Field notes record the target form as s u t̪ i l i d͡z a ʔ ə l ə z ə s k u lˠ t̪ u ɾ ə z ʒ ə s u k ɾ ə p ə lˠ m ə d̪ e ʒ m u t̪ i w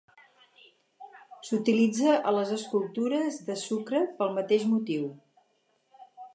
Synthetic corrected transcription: s u t̪ i l i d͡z ə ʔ ə l ə z ə s k u lˠ t̪ u ɾ ə z ð ə s u k ɾ ə p ə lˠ m ə t̪ e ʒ m u t̪ i w